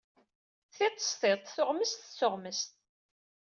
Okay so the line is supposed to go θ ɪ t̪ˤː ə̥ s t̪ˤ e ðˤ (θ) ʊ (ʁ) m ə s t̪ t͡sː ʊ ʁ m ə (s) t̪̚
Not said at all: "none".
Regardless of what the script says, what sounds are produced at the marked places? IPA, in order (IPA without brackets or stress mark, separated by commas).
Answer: θ, ʁ, s